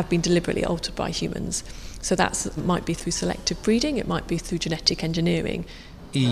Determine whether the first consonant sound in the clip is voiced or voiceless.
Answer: voiced